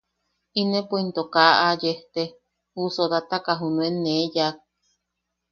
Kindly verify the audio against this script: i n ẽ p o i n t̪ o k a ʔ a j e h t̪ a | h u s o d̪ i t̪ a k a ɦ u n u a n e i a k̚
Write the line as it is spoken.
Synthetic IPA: i n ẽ p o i n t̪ o k a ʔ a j e h t̪ e | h u s o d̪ a t̪ a k a ɦ u n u e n e j a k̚